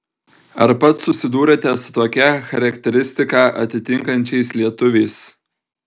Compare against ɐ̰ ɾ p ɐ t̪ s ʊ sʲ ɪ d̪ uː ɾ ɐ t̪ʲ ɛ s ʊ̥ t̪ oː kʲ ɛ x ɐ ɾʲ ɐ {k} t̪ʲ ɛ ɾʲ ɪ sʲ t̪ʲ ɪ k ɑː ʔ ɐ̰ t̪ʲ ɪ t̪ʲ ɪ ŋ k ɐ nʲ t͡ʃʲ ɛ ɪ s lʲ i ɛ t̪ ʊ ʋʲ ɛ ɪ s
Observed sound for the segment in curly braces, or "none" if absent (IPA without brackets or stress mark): k